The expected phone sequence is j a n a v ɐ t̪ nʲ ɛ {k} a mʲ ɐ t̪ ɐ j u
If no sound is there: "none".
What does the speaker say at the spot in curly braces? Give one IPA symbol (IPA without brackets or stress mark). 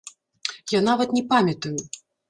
p